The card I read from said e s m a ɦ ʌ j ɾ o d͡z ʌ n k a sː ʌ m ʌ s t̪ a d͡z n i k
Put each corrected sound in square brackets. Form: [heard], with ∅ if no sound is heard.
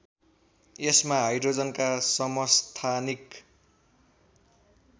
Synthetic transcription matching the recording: e s m a ɦ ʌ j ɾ o d͡z ʌ n k a [s] ʌ m ʌ s [t̪ʰ] a [∅] n i k